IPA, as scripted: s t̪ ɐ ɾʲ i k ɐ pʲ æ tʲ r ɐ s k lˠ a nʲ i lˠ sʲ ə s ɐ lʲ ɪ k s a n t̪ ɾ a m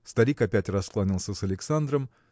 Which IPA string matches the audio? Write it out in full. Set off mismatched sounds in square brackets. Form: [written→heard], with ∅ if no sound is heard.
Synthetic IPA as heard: s t̪ ɐ ɾʲ i k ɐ pʲ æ tʲ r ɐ s k lˠ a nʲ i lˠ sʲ ə s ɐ lʲ ɪ k s a n [t̪→d̪] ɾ [a→ə] m